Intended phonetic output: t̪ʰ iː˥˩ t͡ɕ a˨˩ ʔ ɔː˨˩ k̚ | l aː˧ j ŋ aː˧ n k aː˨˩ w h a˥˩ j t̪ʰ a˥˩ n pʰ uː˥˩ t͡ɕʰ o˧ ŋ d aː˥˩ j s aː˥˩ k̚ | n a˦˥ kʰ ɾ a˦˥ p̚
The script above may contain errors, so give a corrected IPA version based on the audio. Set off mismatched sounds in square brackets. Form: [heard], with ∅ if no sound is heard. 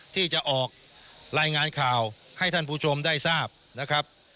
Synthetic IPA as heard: t̪ʰ iː˥˩ t͡ɕ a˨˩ ʔ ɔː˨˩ k̚ | [ɾ] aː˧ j ŋ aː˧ n [kʰ] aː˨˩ w h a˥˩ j t̪ʰ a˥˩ n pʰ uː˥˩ t͡ɕʰ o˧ [m] d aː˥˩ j s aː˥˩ [p̚] | n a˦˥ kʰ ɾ a˦˥ p̚